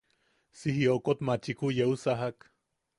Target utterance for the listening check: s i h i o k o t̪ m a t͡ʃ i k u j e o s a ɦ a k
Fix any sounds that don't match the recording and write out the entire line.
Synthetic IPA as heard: s i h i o k o t̪ m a t͡ʃ i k u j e u s a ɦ a k